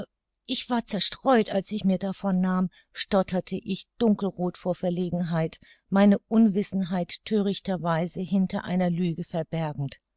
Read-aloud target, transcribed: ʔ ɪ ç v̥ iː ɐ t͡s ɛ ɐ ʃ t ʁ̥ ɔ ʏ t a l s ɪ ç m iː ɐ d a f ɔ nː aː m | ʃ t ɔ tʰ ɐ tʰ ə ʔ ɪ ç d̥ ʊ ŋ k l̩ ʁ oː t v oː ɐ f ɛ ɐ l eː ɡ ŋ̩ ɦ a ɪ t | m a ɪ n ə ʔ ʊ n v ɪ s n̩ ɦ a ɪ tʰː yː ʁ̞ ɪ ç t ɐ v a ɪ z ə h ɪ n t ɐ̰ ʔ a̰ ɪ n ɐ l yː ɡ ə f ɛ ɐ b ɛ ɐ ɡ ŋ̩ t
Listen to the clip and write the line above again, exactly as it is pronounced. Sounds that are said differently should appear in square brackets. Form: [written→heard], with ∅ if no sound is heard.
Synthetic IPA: ʔ ɪ ç v̥ [iː→aː] ɐ t͡s ɛ ɐ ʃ t ʁ̥ ɔ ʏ t a l s ɪ ç m iː ɐ d a f ɔ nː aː m | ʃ t ɔ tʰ ɐ tʰ ə ʔ ɪ ç d̥ ʊ ŋ k l̩ ʁ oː t [v→f] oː ɐ f ɛ ɐ l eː ɡ ŋ̩ ɦ a ɪ t | m a ɪ n ə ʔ ʊ n v ɪ s n̩ ɦ a ɪ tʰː [yː→øː] ʁ̞ ɪ ç t ɐ v a ɪ z ə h ɪ n t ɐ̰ ʔ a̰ ɪ n ɐ l yː ɡ ə f ɛ ɐ b ɛ ɐ ɡ ŋ̩ t